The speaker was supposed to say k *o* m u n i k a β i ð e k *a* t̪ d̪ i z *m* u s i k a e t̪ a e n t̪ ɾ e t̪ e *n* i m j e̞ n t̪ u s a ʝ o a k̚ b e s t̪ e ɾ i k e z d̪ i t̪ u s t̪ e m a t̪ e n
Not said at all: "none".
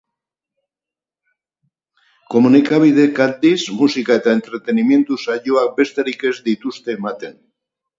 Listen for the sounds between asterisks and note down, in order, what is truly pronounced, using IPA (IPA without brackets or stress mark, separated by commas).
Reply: o, a, m, n